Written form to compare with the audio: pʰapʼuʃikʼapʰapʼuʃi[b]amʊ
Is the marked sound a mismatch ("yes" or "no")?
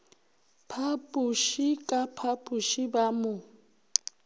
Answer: no